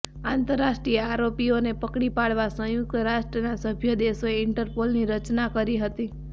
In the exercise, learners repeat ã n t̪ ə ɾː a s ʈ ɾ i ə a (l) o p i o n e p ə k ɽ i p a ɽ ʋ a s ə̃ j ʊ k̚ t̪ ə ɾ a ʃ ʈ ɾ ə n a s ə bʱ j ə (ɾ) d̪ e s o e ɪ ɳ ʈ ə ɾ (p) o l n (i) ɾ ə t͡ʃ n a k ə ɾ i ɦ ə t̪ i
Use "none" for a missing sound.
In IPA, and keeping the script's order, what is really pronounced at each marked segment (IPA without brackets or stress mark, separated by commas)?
ɾ, none, p, i